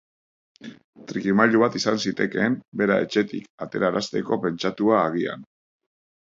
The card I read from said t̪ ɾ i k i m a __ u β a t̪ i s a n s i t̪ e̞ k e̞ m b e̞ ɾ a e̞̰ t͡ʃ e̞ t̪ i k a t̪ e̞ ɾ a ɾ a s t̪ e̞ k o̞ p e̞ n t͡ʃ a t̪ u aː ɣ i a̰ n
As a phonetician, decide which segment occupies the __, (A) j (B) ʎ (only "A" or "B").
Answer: B